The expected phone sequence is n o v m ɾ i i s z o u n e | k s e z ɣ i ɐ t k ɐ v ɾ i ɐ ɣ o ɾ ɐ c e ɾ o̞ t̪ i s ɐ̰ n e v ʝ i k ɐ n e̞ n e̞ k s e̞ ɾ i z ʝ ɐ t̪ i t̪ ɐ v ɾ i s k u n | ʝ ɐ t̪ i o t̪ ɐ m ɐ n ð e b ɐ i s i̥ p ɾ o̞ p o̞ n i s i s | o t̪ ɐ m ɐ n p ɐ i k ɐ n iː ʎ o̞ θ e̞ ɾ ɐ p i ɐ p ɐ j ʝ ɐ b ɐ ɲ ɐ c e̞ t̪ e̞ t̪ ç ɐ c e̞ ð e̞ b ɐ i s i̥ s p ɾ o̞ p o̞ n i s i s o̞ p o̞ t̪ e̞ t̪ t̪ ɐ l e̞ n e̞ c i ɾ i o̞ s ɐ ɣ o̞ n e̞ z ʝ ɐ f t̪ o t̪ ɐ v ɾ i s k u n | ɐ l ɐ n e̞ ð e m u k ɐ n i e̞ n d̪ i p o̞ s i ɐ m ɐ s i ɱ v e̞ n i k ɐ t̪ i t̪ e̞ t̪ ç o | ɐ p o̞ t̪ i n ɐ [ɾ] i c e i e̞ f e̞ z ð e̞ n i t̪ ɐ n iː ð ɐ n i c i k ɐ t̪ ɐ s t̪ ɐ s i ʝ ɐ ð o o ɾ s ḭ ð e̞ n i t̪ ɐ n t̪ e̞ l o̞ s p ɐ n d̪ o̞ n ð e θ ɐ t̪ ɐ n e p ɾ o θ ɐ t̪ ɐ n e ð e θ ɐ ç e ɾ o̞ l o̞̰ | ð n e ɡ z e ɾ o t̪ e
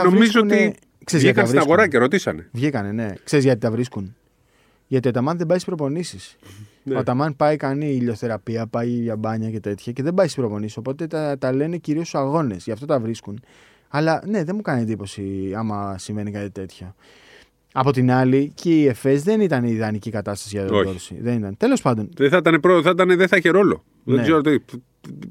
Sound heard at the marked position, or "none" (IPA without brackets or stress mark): l